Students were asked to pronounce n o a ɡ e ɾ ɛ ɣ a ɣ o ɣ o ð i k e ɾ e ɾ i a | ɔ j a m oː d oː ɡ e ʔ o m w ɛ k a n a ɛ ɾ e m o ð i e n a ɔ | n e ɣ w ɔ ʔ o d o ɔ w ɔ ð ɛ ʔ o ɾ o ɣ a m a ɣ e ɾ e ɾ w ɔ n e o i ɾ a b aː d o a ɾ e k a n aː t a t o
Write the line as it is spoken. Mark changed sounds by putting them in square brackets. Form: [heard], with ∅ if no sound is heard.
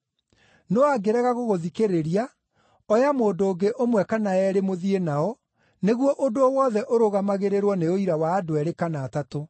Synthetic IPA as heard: n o a ɡ e ɾ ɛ ɣ a ɣ o ɣ o ð i k e ɾ e ɾ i a | ɔ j a m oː d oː ɡ e ʔ o m w ɛ k a n a ɛ ɾ e m o ð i e n a ɔ | n e ɣ w ɔ ʔ o d o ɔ w ɔ ð ɛ ʔ o ɾ o ɣ a m a ɣ e ɾ e ɾ w ɔ n e o i ɾ a [w] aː d o [ɛ] ɾ e k a n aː t a t o